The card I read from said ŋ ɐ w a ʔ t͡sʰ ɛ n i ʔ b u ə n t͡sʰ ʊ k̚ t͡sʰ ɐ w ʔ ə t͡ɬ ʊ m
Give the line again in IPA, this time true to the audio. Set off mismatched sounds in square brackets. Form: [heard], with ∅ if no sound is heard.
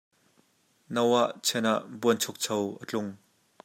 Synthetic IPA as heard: [n] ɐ w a ʔ t͡sʰ ɛ n [a] ʔ b u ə n t͡sʰ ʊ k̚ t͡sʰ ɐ w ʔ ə t͡ɬ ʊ [ŋ]